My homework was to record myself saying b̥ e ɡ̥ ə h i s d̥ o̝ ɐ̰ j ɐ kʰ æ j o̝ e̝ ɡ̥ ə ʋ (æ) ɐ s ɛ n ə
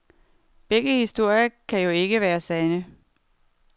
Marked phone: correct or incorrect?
incorrect